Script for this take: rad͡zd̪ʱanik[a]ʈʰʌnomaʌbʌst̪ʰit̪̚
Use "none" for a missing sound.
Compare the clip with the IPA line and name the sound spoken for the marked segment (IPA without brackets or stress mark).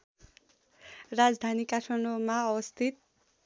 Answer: a